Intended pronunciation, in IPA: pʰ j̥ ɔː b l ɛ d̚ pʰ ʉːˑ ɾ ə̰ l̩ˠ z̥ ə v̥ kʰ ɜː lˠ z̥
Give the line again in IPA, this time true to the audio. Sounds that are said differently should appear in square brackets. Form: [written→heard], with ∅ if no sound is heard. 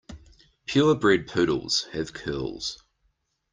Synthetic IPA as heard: pʰ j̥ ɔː b [l→ɹ] ɛ d̚ pʰ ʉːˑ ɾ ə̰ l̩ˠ z̥ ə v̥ kʰ ɜː lˠ z̥

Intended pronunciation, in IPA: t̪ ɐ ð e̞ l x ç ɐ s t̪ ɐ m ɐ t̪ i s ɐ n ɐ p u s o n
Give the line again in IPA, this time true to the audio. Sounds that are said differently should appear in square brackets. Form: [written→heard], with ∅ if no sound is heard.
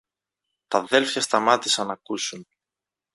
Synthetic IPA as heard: t̪ ɐ ð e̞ l [x→f] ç ɐ s t̪ ɐ m ɐ t̪ i s ɐ n ɐ [p→k] u s [o→u] n

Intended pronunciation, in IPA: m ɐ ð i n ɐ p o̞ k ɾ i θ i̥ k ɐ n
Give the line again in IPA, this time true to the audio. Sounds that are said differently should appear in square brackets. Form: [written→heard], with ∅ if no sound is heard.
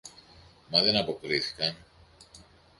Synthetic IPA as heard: m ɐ ð [i→e] n ɐ p o̞ k ɾ i θ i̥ k ɐ n

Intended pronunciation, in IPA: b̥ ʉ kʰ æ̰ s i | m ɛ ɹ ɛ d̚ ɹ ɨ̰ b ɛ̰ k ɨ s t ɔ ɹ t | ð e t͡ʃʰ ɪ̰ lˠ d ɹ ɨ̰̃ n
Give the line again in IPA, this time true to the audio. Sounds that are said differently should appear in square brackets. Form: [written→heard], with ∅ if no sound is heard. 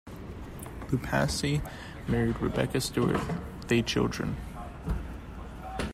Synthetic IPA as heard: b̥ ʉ [kʰ→pʰ] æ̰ s i | m ɛ ɹ [ɛ→i] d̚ ɹ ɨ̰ b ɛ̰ k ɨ s t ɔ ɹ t | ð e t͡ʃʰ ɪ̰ lˠ d ɹ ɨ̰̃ n

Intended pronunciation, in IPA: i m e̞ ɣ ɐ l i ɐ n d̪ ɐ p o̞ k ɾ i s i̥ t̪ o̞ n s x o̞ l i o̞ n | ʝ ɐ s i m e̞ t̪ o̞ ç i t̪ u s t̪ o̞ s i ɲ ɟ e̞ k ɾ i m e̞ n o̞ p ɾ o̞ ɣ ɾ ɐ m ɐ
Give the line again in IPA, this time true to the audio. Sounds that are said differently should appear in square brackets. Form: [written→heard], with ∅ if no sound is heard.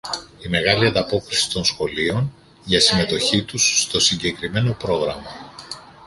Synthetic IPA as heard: i m e̞ ɣ ɐ l i ɐ n d̪ ɐ p o̞ k ɾ i s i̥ t̪ o̞ n s x o̞ l i o̞ n | ʝ ɐ s i m e̞ t̪ o̞ ç i t̪ u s t̪ o̞ s i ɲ ɟ e̞ k ɾ i m e̞ n o̞ p ɾ o̞ ɣ ɾ ɐ m ɐ

